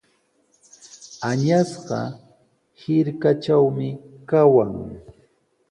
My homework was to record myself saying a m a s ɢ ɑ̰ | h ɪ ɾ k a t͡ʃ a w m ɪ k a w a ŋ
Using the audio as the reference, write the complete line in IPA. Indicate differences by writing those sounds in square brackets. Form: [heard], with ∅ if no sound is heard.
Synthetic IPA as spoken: a [ɲ] a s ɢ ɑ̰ | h ɪ ɾ k a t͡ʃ a w m ɪ k a w a ŋ